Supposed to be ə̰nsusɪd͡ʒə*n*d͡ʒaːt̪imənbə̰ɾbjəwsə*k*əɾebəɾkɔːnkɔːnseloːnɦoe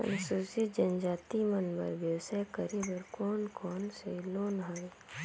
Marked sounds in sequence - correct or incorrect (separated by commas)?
correct, correct